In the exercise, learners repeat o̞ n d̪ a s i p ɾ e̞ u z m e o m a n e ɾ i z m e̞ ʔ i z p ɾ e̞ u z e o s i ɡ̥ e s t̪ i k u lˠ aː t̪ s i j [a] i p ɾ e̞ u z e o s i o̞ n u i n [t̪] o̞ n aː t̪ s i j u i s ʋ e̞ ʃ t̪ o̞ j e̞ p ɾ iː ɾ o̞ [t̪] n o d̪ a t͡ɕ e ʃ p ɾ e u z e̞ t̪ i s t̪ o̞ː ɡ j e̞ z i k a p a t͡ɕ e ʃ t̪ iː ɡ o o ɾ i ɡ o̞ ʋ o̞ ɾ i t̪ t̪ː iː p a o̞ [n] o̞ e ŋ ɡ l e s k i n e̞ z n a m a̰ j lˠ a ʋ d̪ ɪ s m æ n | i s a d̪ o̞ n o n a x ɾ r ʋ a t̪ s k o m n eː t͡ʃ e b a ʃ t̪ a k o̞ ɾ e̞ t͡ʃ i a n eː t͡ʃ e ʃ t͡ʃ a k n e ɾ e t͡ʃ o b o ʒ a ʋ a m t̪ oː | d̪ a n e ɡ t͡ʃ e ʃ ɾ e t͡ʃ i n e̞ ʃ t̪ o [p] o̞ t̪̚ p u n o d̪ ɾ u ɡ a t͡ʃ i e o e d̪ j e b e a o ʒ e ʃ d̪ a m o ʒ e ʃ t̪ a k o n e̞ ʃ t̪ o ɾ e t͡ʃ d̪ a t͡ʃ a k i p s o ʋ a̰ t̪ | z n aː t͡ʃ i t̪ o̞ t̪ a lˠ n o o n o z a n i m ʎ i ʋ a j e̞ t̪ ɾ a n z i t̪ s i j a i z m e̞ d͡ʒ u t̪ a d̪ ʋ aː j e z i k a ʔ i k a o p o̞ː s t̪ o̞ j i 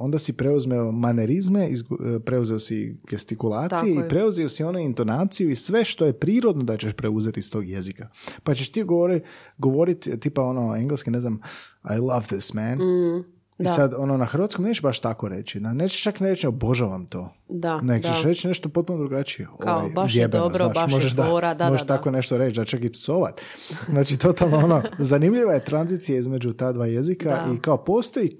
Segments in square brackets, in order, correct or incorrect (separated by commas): incorrect, correct, incorrect, correct, correct